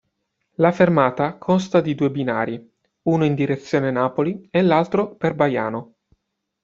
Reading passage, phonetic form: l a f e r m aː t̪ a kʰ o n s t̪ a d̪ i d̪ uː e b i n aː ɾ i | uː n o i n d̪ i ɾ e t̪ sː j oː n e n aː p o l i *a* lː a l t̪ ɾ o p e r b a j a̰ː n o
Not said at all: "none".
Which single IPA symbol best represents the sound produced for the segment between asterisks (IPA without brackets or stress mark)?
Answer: e